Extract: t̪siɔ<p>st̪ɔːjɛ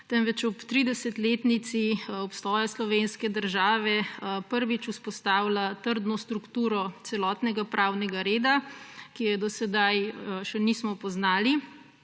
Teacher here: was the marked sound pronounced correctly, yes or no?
yes